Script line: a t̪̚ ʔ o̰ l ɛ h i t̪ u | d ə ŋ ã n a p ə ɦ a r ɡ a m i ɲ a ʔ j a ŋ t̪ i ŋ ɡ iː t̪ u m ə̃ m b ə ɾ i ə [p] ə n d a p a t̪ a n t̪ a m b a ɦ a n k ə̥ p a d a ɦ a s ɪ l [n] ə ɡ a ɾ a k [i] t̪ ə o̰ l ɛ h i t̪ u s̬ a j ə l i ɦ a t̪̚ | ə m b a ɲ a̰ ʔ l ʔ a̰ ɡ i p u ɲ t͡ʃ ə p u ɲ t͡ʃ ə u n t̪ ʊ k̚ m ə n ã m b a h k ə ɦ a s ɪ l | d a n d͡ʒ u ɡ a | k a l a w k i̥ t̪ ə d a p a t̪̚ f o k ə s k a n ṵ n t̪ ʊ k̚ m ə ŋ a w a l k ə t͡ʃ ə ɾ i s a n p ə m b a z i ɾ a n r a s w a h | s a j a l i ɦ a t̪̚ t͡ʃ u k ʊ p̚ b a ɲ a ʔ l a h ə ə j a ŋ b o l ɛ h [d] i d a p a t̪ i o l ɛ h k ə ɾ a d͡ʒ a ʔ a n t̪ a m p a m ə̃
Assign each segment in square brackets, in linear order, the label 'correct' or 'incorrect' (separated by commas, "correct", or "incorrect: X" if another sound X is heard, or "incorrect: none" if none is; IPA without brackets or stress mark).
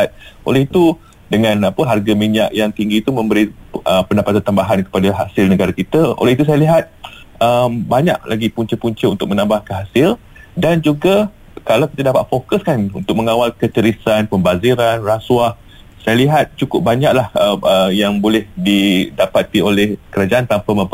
correct, correct, correct, correct